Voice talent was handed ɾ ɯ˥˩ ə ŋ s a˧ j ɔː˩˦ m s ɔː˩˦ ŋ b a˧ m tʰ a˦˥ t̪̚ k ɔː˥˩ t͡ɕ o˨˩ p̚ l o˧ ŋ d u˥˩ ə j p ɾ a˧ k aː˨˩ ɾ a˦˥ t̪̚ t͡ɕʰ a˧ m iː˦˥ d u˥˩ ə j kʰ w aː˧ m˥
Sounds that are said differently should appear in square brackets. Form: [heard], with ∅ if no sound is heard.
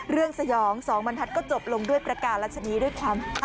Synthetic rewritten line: ɾ ɯ˥˩ ə ŋ s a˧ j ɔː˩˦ [ŋ] s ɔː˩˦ ŋ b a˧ [n] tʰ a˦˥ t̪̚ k ɔː˥˩ t͡ɕ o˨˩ p̚ l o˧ ŋ d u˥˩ ə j p ɾ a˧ k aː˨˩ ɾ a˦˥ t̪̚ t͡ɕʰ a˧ [n] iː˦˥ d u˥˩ ə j kʰ w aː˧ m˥